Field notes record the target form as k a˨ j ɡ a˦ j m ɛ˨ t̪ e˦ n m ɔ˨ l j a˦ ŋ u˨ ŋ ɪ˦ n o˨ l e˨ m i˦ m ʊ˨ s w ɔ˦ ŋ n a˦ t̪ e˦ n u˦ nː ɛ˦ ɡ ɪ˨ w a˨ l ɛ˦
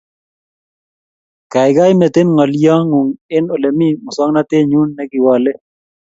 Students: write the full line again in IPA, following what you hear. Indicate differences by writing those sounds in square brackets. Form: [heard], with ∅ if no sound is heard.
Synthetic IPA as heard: k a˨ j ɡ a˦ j m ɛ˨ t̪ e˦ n [ŋ] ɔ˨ l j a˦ ŋ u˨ ŋ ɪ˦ n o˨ l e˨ m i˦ m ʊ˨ s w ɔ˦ ŋ n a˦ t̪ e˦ [ɲ] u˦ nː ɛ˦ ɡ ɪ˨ w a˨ l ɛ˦